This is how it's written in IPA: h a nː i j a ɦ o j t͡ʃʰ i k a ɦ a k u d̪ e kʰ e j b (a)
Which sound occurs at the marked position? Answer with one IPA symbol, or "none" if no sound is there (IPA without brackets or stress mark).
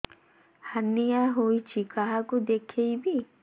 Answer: i